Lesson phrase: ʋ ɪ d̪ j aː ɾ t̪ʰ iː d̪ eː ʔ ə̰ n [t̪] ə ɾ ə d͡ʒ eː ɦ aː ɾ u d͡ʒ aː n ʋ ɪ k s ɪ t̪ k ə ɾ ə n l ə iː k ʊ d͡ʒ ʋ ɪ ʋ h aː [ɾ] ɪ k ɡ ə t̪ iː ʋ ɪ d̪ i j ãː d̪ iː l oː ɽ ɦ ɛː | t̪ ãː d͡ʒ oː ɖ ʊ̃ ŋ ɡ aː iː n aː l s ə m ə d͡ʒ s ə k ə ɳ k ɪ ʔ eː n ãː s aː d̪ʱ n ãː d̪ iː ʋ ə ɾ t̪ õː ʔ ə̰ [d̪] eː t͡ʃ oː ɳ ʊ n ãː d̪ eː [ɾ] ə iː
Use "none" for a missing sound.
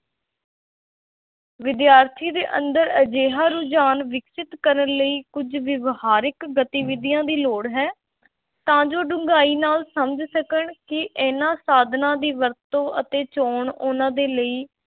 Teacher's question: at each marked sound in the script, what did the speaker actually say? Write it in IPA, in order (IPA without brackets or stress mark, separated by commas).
d̪, ɾ, t̪, l